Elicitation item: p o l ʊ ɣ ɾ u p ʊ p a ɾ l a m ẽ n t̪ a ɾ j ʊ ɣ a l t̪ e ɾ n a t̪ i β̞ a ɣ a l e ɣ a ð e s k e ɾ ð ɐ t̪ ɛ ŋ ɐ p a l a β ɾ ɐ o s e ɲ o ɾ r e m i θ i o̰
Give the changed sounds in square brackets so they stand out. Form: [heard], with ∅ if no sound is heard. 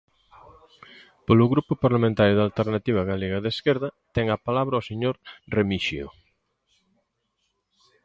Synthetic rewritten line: p o l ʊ ɣ ɾ u p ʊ p a ɾ l a m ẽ n t̪ a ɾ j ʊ [ð] a l t̪ e ɾ n a t̪ i β̞ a ɣ a l e ɣ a ð e s k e ɾ ð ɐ t̪ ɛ ŋ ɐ p a l a β ɾ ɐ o s e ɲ o ɾ r e m i [ʃ] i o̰